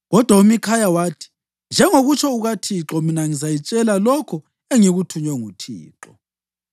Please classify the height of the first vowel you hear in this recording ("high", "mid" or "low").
mid